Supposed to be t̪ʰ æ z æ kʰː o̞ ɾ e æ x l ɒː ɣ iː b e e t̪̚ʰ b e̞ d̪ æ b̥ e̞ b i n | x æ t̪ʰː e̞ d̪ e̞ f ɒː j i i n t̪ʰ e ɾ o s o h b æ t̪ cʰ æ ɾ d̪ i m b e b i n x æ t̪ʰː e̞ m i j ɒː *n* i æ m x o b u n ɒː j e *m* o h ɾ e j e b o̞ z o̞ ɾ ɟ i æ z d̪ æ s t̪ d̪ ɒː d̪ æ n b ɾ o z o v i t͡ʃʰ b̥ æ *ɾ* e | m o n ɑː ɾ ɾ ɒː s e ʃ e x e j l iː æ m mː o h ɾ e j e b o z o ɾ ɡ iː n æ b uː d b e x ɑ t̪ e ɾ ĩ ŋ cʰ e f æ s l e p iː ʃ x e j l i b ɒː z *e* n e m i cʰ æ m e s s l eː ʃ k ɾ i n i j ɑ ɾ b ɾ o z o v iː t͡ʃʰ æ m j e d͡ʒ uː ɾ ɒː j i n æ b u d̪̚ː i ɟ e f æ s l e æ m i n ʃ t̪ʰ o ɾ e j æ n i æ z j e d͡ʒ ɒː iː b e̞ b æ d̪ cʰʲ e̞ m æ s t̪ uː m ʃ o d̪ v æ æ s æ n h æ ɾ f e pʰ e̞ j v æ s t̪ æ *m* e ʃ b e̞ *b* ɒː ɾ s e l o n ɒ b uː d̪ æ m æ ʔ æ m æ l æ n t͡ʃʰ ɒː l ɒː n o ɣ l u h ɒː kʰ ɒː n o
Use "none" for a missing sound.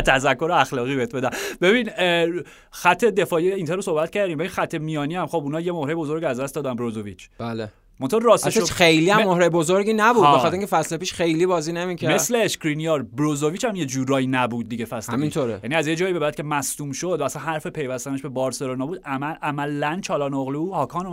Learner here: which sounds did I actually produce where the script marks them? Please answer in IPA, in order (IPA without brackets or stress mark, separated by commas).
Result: n, m, l, i, n, b